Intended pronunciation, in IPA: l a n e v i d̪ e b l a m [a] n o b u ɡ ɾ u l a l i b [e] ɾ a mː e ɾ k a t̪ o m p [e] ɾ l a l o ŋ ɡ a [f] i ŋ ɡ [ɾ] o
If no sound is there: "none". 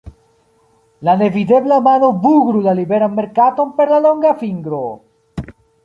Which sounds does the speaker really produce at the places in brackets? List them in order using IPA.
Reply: a, e, e, f, ɾ

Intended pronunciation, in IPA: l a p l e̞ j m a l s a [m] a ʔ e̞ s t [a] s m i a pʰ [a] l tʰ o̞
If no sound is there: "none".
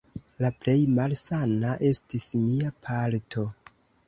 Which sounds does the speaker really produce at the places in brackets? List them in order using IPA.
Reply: n, i, a

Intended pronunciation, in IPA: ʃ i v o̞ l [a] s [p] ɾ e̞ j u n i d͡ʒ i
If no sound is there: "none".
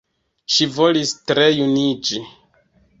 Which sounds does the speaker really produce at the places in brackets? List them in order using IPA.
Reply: i, t

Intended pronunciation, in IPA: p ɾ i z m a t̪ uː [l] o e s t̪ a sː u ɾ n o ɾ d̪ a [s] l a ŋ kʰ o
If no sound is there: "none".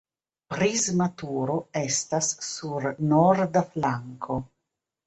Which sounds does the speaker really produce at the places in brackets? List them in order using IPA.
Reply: ɾ, f

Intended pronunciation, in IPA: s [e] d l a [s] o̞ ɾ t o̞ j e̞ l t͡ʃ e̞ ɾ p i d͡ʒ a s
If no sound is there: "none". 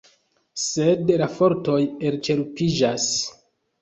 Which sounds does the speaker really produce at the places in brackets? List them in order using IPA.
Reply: e, f

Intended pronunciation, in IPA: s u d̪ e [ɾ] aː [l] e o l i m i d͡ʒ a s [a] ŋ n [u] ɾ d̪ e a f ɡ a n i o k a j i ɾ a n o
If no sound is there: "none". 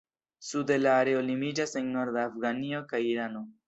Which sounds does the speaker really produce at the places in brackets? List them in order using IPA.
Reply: l, ɾ, e, o

